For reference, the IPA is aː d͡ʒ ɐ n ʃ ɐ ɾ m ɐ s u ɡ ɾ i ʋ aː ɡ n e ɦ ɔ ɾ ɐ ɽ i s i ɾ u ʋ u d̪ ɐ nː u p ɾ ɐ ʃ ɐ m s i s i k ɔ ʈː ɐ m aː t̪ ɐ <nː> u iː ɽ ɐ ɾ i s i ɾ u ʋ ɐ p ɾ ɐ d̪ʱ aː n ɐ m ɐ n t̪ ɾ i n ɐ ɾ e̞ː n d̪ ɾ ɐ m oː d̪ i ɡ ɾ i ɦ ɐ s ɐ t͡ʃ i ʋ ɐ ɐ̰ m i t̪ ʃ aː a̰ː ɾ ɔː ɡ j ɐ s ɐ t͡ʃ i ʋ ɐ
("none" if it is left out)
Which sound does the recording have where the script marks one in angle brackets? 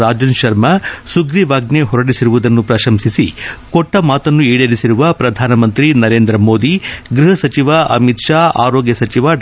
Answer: nː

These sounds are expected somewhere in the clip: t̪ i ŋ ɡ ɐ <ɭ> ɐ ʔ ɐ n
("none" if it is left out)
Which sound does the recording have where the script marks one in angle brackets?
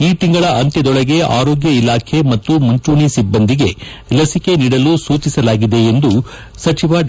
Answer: ɭ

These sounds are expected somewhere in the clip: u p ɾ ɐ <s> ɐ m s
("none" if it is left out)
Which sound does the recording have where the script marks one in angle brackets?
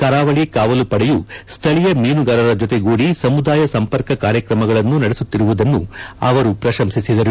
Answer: ʃ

